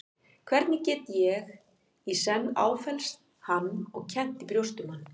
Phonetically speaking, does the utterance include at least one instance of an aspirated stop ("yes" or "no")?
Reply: yes